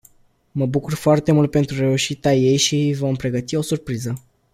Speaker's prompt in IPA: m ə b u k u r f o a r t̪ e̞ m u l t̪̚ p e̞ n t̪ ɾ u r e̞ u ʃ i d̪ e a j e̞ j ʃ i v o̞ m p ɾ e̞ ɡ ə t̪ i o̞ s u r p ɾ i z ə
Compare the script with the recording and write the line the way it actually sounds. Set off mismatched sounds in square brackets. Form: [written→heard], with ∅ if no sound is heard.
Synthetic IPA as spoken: m ə b u k u r f o a r t̪ e̞ m u l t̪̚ p e̞ n t̪ ɾ u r e̞ u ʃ i [d̪→t̪] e a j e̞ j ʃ i v o̞ m p ɾ e̞ ɡ ə t̪ i o̞ s u r p ɾ i z ə